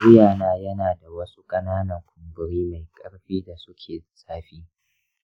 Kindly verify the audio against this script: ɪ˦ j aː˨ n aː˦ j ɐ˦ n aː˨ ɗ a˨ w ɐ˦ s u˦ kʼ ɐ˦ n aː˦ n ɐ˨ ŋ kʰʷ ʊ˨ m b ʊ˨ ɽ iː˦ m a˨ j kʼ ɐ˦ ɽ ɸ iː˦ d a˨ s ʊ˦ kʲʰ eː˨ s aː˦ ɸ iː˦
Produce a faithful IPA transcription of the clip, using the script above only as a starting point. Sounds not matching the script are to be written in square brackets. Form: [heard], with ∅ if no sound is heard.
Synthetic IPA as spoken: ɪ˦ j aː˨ n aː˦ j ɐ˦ n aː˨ [d] a˨ w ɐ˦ s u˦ kʼ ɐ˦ n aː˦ n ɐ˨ ŋ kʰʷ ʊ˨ m b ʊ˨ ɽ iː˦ m a˨ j kʼ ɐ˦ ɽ ɸ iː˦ d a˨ s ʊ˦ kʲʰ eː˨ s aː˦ ɸ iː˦

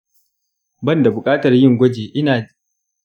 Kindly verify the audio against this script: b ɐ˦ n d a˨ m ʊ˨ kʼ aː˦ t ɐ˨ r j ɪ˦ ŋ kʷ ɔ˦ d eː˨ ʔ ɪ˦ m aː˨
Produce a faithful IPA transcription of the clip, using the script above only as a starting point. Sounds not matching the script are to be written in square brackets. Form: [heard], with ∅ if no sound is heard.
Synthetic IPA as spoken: b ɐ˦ n d a˨ [b] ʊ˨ kʼ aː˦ t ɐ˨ r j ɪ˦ ŋ [ɡʷ] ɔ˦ [d͡ʒ] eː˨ ʔ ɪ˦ [n] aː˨

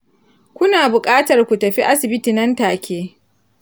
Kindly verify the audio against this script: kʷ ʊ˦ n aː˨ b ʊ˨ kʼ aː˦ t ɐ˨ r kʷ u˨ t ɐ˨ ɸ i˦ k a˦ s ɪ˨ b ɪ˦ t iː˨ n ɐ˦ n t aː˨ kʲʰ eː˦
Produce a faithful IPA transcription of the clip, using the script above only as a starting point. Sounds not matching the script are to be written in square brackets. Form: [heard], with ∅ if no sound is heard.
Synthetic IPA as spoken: kʷ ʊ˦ n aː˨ b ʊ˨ kʼ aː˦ t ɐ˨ r kʷ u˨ t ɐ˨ ɸ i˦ [ʔ] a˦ s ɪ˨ b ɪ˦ t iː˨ n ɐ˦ n t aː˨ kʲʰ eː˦

